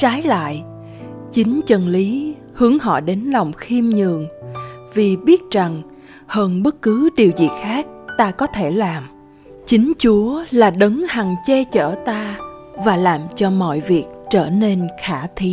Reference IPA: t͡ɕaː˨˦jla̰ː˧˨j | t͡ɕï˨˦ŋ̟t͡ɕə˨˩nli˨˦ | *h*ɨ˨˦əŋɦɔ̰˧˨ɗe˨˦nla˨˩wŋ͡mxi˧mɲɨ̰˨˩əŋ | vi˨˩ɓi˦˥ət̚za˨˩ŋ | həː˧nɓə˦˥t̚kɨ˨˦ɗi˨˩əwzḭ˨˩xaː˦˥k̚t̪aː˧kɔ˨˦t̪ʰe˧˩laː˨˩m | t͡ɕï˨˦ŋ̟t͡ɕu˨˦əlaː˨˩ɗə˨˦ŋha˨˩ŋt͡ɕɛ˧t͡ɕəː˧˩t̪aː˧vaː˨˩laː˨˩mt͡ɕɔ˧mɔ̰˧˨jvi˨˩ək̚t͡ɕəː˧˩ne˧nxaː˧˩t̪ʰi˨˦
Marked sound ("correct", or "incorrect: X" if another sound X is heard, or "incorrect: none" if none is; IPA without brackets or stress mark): correct